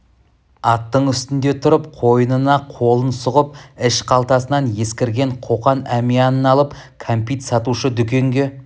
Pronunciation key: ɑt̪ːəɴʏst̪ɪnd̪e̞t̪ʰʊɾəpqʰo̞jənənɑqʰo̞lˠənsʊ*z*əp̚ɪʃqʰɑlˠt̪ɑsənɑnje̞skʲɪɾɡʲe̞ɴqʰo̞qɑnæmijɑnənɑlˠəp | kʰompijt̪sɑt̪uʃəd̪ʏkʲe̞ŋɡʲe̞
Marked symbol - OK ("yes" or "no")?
no